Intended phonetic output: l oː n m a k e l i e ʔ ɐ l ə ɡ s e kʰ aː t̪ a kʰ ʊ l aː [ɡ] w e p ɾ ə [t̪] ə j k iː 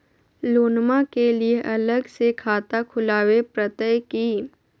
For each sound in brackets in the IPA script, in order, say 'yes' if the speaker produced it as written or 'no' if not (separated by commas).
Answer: no, yes